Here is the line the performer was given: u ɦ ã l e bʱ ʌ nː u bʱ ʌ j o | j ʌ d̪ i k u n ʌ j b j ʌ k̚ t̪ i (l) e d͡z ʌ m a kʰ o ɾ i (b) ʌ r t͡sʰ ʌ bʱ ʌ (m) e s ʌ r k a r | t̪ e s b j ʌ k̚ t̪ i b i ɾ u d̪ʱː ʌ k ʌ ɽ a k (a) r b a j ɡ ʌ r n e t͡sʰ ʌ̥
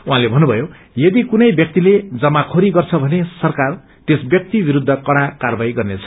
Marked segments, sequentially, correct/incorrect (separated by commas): correct, incorrect, incorrect, correct